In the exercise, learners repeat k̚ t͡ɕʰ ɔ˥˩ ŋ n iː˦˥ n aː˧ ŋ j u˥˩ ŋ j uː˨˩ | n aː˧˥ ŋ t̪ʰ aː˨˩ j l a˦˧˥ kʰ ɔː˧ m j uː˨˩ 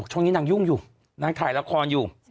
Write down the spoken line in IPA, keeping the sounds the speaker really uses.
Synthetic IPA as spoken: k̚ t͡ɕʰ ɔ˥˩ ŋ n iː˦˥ n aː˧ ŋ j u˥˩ ŋ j uː˨˩ | n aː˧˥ ŋ t̪ʰ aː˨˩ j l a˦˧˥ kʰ ɔː˧ n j uː˨˩